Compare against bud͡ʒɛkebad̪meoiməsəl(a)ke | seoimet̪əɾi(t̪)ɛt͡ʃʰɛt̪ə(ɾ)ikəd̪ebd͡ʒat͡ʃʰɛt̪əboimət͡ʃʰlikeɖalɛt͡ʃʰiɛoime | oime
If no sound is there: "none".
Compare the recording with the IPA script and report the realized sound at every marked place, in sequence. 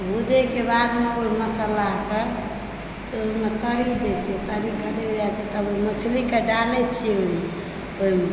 a, d̪, ɾ

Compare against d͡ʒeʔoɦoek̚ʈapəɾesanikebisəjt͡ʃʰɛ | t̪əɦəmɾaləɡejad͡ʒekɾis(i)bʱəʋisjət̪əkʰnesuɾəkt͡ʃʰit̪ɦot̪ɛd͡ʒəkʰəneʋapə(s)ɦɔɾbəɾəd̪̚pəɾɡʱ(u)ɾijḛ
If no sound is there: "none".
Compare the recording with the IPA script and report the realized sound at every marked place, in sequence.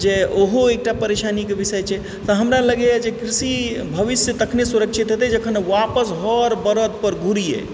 i, s, u

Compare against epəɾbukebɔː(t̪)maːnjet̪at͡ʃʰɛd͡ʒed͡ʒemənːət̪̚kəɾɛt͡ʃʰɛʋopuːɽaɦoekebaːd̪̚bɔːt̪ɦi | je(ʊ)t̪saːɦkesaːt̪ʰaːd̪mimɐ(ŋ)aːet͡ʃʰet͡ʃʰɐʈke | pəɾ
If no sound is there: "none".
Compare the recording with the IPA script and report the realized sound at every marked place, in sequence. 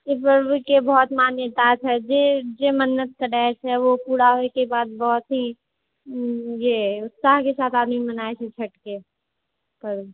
t̪, ʊ, n

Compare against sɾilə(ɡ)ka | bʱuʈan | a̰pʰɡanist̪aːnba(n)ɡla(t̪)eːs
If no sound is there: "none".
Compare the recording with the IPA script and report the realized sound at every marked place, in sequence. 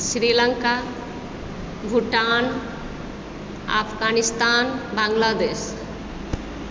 ŋ, ŋ, d̪

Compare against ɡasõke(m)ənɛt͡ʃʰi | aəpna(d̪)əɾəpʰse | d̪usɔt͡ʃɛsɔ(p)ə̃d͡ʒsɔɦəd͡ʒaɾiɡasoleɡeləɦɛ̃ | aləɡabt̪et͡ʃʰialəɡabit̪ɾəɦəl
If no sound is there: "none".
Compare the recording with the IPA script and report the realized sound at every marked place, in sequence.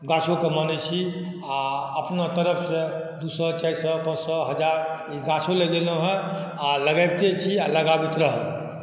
m, t̪, p

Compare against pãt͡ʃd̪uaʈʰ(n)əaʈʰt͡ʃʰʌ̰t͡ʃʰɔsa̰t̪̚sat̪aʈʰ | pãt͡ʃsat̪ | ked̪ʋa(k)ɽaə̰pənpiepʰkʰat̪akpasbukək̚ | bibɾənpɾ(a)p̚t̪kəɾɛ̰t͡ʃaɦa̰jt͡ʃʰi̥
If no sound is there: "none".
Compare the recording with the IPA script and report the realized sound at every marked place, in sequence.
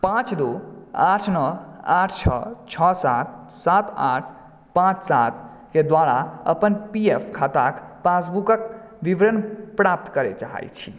n, none, a

